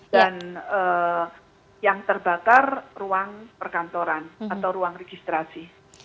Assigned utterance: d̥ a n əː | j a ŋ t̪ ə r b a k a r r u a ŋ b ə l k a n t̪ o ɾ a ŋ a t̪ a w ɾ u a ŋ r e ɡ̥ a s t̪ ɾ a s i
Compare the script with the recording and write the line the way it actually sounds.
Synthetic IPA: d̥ a n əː | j a ŋ t̪ ə r b a k a r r u a ŋ p ə r k a n t̪ o ɾ a n a t̪ a w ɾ u a ŋ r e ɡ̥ i s t̪ ɾ a s i